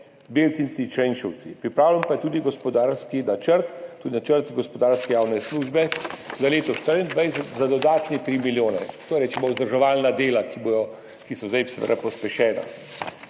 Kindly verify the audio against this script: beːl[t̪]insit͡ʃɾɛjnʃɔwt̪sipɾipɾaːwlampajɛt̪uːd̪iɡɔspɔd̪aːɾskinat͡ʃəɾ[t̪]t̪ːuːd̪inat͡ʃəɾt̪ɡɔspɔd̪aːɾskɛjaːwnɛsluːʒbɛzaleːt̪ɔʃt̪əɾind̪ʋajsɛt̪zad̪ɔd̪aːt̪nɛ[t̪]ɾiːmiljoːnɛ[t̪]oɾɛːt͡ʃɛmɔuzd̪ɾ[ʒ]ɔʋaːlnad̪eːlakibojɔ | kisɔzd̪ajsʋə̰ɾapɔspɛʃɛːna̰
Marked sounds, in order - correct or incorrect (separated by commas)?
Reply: correct, correct, correct, correct, correct